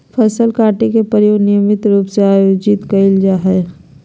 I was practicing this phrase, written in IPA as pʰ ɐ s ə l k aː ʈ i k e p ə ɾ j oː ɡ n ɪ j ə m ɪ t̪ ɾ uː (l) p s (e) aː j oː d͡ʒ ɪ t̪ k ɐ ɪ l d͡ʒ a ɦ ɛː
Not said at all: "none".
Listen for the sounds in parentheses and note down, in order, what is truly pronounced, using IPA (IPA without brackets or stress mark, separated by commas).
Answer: none, e